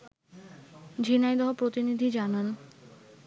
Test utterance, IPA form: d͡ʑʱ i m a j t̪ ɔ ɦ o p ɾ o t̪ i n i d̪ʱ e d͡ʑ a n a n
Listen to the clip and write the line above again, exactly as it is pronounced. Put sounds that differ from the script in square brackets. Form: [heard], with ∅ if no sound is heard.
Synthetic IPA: d͡ʑʱ i [n] a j [d̪] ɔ ɦ o p ɾ o t̪ i n i d̪ʱ [i] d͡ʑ a n a n

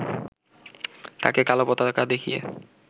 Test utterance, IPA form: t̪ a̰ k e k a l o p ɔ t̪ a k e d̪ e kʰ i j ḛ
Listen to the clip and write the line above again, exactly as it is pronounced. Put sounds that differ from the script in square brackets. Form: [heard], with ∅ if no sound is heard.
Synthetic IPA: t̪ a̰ k e k a l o p ɔ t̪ a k [a] d̪ e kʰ i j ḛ

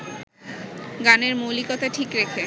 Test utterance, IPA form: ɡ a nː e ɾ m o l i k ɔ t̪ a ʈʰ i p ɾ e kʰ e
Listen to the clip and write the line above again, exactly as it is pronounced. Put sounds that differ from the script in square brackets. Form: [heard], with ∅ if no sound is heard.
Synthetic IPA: ɡ a [n] e ɾ m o l i k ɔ t̪ a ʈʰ i [k] ɾ e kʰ e

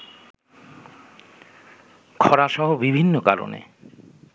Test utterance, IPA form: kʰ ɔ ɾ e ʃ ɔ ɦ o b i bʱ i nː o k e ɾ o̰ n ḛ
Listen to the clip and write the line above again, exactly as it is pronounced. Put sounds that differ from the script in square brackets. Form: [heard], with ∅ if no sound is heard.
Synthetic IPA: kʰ ɔ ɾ [a] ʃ ɔ ɦ o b i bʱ i nː o k [a] ɾ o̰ n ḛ

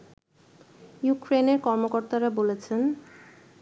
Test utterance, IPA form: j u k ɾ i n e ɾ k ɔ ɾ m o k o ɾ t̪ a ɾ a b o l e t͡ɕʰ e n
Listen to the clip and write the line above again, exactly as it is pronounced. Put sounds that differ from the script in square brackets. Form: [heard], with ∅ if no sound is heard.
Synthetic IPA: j u k ɾ [e] n e ɾ k ɔ ɾ m o k o ɾ t̪ a ɾ a b o l e t͡ɕʰ e n

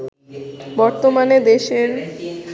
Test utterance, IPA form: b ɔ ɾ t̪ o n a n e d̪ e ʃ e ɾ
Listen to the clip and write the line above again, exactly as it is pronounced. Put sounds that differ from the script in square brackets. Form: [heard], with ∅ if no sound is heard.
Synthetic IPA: b ɔ ɾ t̪ o [m] a n e d̪ e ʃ e ɾ

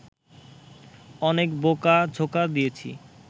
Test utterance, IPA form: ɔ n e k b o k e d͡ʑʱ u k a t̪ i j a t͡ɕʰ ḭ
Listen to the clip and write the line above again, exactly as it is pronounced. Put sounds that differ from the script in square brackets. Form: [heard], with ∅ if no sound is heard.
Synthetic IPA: ɔ n e k b o k [a] d͡ʑʱ [o] k a [d̪] i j [e] t͡ɕʰ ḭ

